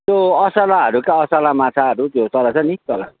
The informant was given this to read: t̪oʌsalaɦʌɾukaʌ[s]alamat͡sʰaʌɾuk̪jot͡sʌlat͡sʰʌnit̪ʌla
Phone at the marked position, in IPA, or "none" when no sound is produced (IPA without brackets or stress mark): s